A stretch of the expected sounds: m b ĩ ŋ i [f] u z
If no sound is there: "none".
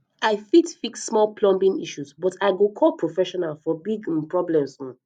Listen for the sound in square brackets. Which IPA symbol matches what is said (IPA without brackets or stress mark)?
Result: ʃ